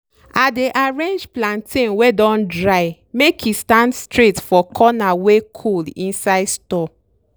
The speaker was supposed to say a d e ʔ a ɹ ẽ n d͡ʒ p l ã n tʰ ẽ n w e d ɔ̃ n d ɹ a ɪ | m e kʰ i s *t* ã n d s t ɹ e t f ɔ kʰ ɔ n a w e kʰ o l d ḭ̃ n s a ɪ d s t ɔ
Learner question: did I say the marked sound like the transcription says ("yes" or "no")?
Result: yes